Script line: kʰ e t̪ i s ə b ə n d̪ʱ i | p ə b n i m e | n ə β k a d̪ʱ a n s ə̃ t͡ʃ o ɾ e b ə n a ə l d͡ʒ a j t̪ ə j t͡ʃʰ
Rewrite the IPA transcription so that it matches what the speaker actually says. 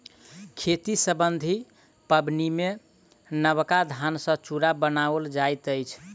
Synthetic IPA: kʰ e t̪ i s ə b ə n d̪ʱ i | p ə b n i m e | n ə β k a d̪ʱ a n s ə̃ t͡ʃ u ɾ a b ə n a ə l d͡ʒ a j t̪ ə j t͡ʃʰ